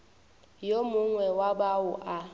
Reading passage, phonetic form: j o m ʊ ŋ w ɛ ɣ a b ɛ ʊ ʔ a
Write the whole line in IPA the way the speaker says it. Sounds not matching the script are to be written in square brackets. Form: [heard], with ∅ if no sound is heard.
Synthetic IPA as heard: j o m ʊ ŋ w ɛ [w] a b [a] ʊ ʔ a